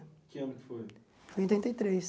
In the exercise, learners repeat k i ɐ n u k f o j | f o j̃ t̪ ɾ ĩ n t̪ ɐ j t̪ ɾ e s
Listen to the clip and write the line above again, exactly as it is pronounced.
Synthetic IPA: k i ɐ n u k f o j | f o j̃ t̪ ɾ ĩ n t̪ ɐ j t̪ ɾ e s